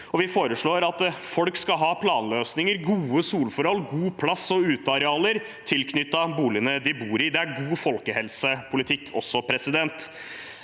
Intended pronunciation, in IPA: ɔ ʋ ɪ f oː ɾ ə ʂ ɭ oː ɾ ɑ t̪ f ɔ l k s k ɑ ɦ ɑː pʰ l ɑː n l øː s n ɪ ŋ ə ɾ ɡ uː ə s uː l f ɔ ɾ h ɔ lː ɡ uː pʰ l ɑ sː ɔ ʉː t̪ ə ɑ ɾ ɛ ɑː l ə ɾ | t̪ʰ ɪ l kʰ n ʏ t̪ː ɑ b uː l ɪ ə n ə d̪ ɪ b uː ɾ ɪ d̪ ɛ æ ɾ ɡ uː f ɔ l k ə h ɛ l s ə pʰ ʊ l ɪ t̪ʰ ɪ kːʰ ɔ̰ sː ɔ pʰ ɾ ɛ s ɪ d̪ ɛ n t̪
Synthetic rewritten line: ɔ ʋ ɪ f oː ɾ ə ʂ ɭ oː ɾ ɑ t̪ f ɔ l k s k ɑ ɦ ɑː pʰ l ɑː n l øː s n ɪ ŋ ə ɾ ɡ uː ə s uː l f ɔ ɾ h ɔ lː ɡ uː pʰ l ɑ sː ɔ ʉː t̪ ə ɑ ɾ ɛ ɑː l ə ɾ | t̪ʰ ɪ l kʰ n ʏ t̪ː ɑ b uː l ɪ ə n ə d̪ ɪ b uː ɾ ɪ d̪ ɛ æ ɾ ɡ uː f ɔ l k ə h ɛ l s ə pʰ ʊ l ɪ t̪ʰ ɪ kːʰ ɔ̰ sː ɔ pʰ ɾ ɛ s ɪ d̪ ɛ n t̪